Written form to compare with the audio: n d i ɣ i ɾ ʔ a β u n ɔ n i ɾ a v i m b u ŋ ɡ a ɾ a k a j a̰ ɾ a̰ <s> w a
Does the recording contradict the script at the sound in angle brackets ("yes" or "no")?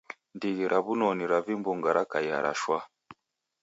yes